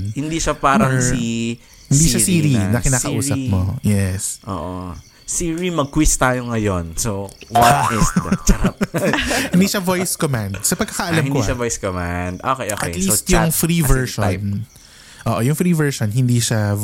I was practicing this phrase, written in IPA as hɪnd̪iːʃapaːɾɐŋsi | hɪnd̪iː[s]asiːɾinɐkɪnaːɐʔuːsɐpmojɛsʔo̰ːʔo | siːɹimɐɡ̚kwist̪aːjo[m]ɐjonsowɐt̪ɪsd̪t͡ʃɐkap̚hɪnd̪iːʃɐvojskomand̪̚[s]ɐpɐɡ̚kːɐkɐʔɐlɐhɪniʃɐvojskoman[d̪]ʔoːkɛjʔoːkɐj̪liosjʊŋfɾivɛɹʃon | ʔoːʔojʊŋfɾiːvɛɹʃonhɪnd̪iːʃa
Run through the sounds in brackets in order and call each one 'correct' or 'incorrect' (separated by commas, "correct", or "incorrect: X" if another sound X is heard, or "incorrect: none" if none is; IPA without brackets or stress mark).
incorrect: ʃ, incorrect: ŋ, correct, correct